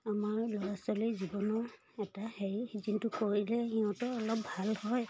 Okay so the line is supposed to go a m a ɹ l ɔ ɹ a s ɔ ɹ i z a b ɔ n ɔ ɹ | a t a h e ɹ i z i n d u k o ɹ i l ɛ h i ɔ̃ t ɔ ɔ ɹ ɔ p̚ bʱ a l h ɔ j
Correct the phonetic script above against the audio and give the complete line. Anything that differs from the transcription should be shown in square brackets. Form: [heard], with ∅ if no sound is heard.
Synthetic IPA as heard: a m a ɹ l ɔ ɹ a s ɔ [l] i z [i] b ɔ n ɔ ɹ | [ɛ] t a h e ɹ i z i n [t] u k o ɹ i l ɛ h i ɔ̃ t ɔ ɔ [l] ɔ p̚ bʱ a l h ɔ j